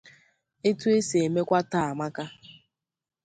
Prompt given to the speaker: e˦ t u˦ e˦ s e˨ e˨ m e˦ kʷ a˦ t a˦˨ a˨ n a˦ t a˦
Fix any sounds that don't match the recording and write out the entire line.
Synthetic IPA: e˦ t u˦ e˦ s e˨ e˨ m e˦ kʷ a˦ t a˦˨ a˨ m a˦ k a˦